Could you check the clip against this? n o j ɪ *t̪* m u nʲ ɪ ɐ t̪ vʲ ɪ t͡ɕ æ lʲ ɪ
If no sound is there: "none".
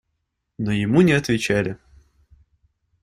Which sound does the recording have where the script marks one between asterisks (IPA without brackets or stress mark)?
none